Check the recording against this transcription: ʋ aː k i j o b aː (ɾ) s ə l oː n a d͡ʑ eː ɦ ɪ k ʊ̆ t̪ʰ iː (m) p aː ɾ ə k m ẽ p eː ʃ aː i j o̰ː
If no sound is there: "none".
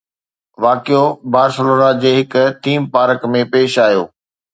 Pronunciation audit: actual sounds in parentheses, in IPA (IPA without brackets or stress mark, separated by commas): ɾ, m